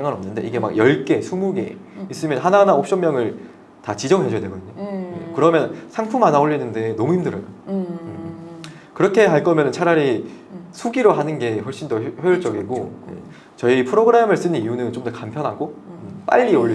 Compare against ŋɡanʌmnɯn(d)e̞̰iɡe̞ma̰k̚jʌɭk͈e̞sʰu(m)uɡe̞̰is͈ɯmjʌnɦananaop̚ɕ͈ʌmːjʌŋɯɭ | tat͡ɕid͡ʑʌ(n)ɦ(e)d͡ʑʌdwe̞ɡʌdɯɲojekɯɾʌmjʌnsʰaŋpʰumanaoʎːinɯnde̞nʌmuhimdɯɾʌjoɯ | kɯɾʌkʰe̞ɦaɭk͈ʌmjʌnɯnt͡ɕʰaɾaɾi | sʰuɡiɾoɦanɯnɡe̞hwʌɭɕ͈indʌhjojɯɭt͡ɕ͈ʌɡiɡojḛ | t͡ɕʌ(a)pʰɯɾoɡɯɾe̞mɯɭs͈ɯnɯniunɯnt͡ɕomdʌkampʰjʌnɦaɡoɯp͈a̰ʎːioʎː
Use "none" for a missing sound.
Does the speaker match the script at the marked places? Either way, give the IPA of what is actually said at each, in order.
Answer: d, m, ŋ, e, i

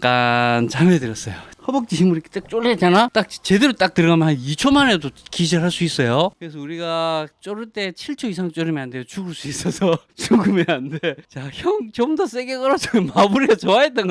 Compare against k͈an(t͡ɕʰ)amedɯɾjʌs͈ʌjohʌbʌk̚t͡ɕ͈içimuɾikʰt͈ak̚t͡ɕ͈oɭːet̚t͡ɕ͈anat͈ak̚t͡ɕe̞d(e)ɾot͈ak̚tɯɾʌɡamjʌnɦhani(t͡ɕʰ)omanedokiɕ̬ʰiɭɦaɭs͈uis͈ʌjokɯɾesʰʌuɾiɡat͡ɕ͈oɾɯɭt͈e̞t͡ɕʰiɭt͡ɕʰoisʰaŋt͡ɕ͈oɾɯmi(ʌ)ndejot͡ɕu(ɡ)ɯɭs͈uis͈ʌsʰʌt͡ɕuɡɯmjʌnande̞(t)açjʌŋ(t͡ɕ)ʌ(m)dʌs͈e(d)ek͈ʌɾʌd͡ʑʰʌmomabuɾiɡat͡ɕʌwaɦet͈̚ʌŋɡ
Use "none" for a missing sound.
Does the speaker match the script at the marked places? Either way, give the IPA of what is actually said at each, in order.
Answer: t͡ɕ, e, t͡ɕʰ, a, ɡ, t͡ɕ, t͡ɕ, m, ɡ

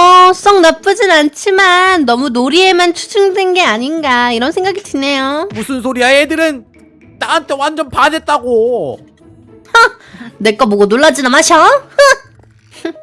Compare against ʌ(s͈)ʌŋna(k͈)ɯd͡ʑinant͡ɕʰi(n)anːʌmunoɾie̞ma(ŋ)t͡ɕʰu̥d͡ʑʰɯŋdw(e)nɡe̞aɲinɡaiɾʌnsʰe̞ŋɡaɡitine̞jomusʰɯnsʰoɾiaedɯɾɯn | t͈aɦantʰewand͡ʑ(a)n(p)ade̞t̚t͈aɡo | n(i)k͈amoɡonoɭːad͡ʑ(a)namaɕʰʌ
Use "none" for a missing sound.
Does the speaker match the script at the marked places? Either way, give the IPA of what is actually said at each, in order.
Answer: s͈, p͈, m, n, e, ʌ, p, e, i

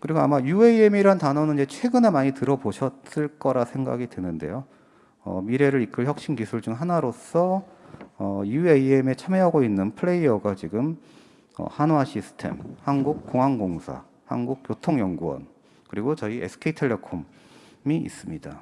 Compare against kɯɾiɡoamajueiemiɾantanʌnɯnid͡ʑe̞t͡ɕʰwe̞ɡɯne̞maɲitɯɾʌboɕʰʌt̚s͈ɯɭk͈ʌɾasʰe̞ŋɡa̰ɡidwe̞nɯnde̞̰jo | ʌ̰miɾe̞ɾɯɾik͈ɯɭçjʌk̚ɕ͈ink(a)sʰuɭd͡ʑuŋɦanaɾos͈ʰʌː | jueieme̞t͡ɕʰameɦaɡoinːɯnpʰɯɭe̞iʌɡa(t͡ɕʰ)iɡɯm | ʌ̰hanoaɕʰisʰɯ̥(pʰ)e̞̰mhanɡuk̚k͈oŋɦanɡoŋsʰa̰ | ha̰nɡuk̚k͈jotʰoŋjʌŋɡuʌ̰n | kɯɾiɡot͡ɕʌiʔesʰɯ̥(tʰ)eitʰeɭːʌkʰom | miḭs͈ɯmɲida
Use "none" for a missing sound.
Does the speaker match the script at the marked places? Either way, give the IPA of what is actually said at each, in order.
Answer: i, t͡ɕ, tʰ, kʰ

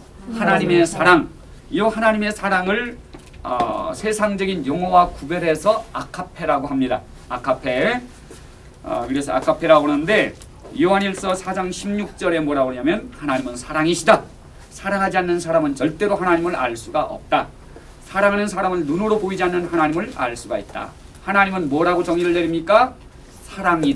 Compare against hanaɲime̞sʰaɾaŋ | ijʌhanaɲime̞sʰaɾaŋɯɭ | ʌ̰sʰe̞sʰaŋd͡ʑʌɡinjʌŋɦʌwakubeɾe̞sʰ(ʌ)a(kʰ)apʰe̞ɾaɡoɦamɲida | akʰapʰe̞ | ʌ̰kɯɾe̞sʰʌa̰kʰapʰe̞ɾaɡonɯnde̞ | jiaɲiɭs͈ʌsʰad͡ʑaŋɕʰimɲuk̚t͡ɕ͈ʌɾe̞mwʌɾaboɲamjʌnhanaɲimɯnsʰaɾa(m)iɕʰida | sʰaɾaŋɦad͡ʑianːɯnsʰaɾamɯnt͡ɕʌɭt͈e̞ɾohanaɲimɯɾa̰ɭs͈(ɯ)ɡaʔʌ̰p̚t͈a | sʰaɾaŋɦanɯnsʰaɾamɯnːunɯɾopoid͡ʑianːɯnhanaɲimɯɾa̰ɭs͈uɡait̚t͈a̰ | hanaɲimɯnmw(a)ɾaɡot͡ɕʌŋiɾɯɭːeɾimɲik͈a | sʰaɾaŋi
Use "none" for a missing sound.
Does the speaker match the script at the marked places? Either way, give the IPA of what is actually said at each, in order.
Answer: ʌ, kʰ, ŋ, u, ʌ

